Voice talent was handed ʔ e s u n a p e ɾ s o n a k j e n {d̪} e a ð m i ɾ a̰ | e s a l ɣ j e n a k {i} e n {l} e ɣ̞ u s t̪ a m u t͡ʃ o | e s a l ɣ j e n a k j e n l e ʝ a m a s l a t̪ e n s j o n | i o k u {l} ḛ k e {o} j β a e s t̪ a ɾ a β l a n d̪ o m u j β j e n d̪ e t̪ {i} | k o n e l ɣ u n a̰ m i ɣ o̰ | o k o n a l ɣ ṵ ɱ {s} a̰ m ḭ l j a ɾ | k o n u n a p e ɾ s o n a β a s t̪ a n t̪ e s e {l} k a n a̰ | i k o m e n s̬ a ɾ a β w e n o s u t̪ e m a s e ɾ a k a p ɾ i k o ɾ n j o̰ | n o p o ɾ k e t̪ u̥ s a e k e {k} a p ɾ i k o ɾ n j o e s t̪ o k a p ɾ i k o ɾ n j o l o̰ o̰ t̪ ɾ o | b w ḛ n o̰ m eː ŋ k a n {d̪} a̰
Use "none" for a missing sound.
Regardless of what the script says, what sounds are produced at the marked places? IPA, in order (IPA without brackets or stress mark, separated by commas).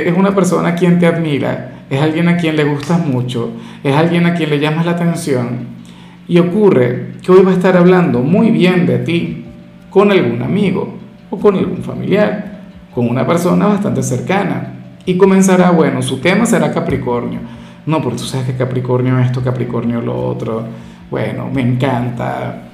t̪, j, l, r, o, i, f, ɾ, k, t̪